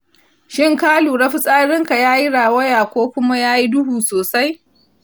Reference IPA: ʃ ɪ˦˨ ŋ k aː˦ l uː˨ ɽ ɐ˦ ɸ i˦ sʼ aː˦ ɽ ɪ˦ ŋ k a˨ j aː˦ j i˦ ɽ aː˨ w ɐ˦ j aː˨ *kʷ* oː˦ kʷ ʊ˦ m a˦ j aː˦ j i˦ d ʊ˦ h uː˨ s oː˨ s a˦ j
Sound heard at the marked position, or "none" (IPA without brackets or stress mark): kʷ